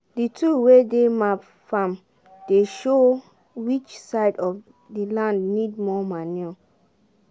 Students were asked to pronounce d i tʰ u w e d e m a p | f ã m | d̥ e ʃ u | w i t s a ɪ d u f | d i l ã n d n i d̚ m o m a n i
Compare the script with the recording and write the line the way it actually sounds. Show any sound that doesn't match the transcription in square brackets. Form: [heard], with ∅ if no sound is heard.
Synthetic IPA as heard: d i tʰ u w e d e m a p | f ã m | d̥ e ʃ [o] | w i [t͡ʃ] s a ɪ d [ɔ] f | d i l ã n d n i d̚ m [ɔ] m a n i